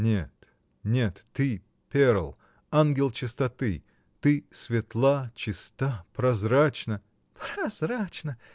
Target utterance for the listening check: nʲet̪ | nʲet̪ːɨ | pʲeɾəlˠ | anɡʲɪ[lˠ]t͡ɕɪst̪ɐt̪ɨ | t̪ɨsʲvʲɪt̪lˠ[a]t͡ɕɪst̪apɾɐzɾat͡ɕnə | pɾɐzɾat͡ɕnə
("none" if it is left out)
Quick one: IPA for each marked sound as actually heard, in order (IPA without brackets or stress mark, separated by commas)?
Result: lˠ, a